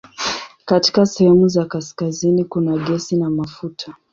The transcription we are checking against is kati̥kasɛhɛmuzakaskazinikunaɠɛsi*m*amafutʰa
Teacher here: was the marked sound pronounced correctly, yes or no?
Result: no